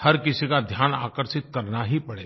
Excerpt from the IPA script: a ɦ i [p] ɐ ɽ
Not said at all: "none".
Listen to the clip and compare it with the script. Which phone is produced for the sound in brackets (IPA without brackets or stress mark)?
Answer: p